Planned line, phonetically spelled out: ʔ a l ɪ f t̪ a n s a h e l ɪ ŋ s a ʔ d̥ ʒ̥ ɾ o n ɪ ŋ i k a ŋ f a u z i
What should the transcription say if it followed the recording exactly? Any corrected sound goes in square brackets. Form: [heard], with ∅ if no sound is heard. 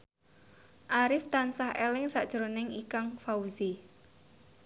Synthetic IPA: ʔ a [ɾ] ɪ f t̪ a n s a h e l ɪ ŋ s a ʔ d̥ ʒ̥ ɾ o n ɪ ŋ i k a ŋ f a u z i